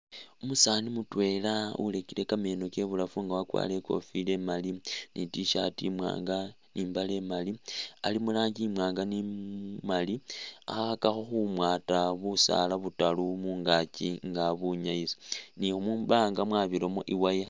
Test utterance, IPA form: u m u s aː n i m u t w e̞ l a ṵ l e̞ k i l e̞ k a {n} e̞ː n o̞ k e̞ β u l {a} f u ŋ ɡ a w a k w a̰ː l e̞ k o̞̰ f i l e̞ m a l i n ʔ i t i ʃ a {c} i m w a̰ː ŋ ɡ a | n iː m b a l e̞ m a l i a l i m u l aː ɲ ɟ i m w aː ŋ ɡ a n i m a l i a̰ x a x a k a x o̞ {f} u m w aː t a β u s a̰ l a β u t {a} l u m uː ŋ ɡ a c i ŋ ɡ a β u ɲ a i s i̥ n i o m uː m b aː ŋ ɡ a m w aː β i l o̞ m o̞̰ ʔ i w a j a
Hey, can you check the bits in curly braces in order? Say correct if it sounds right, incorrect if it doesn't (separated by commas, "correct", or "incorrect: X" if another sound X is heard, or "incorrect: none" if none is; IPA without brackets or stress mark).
incorrect: m, correct, incorrect: t, incorrect: x, correct